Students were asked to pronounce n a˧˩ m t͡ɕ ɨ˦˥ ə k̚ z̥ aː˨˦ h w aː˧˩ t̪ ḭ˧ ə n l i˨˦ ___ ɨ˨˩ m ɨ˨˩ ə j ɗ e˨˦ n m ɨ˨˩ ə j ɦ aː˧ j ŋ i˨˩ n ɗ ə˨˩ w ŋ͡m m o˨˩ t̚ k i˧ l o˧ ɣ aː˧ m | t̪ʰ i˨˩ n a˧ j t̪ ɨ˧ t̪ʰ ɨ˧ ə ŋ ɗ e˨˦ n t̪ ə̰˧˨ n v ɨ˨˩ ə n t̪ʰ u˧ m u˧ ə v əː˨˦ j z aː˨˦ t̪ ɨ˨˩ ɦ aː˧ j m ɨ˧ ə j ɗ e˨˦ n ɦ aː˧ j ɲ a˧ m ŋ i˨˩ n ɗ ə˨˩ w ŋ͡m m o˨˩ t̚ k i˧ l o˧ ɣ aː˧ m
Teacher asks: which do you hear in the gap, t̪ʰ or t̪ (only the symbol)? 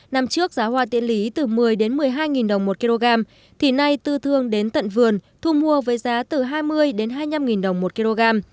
t̪